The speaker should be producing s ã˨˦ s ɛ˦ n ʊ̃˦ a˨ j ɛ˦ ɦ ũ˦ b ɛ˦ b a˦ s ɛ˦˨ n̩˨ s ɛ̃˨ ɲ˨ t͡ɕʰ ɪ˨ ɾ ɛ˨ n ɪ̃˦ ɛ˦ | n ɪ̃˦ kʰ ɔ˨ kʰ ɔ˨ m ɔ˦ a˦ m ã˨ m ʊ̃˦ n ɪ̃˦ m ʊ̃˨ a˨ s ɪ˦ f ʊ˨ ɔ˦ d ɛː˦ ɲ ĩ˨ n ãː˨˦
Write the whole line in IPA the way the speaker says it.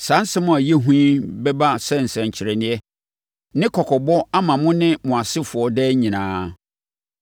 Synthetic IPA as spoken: s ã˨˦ s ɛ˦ m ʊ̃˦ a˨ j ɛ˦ ɦ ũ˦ b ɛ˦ b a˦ s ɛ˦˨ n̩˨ s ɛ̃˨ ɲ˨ t͡ɕʰ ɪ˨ ɾ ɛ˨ n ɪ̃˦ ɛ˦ | n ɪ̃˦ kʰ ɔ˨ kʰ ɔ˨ b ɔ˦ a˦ m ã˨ m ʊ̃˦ n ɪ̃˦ m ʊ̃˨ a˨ s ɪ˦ f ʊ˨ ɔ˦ d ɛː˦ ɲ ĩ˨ n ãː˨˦